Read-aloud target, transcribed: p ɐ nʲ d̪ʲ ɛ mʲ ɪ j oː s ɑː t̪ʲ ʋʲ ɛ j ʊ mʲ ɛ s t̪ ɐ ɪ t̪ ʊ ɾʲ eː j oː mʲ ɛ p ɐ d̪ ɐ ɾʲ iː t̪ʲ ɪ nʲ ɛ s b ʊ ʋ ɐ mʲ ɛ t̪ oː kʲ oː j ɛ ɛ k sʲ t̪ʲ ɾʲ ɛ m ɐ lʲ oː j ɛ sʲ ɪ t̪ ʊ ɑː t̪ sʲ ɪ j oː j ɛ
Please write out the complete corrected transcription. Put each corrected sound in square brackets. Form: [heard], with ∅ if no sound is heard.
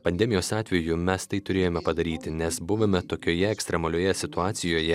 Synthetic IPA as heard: p ɐ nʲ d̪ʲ ɛ mʲ ɪ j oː s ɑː t̪ʲ ʋʲ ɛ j ʊ mʲ ɛ s t̪ ɐ ɪ t̪ ʊ ɾʲ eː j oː mʲ ɛ p ɐ d̪ ɐ ɾʲ iː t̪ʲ ɪ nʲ ɛ s b ʊ ʋ ɐ mʲ ɛ t̪ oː kʲ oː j ɛ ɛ k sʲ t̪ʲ ɾʲ ɛ m ɐ lʲ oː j ɛ sʲ ɪ t̪ ʊ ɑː t̪ sʲ ɪ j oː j ɛ